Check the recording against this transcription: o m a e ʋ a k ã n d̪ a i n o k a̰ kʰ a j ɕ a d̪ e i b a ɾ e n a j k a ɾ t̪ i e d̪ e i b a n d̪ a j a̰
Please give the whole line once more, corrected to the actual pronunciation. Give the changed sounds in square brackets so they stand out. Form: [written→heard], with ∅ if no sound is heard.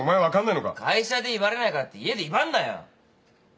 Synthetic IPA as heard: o m a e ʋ a k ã n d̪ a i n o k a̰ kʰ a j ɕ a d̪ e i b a ɾ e n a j k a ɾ t̪ i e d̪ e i b a n d̪ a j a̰